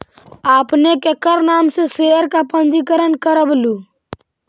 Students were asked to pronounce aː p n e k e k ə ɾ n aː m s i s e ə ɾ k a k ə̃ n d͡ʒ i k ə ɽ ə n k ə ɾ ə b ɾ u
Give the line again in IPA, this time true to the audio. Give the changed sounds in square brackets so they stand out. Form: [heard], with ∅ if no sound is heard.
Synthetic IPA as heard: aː p n e k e k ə ɾ n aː m s [e] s e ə ɾ k a [p] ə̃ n d͡ʒ i k ə [ɾ] ə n k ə ɾ ə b [l] u